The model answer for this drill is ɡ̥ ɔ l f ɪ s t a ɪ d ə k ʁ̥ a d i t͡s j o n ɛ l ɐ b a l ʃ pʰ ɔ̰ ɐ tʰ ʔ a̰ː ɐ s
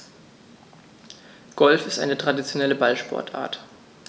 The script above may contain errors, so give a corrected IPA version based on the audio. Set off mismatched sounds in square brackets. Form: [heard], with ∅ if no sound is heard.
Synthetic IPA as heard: ɡ̥ ɔ l f ɪ s t a ɪ [n] ə [t] ʁ̥ a d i t͡s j o n ɛ l [ə] b a l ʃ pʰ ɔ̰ ɐ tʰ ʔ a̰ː ɐ [t]